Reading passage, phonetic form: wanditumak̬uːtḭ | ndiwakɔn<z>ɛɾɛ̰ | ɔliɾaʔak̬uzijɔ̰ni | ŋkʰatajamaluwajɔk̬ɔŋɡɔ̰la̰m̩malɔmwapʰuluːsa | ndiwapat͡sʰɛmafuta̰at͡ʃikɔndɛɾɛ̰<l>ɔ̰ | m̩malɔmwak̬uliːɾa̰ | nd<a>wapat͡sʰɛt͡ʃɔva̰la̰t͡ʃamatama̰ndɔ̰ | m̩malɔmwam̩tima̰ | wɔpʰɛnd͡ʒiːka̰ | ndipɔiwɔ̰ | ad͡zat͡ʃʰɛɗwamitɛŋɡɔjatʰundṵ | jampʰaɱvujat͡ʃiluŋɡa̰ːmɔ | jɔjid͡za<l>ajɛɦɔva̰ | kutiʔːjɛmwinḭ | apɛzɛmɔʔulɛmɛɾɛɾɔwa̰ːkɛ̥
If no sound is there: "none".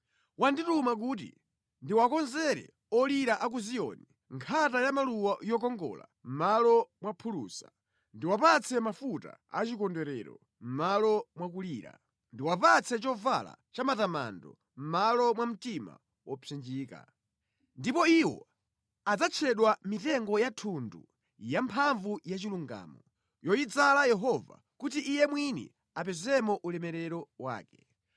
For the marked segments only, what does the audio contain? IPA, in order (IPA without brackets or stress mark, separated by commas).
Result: z, ɾ, i, l